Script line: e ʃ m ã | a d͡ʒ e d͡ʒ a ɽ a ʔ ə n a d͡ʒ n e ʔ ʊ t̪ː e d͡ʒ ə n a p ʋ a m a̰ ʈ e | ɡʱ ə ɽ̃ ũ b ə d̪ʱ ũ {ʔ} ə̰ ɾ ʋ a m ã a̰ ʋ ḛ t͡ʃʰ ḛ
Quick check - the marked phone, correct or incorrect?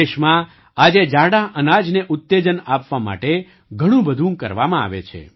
incorrect